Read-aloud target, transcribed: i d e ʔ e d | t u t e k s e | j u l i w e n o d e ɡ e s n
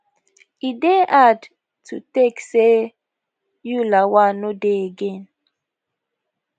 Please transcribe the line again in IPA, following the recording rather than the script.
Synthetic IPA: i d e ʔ a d | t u t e k s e | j u l a w a n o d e ɡ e n